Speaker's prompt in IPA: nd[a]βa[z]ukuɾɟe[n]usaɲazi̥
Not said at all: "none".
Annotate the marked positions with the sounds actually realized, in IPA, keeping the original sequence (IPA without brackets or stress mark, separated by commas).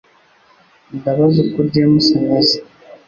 a, z, m